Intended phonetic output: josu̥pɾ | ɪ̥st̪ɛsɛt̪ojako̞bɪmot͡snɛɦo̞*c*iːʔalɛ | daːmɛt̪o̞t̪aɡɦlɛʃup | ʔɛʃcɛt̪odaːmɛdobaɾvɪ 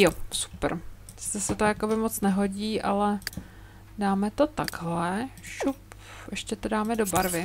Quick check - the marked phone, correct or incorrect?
incorrect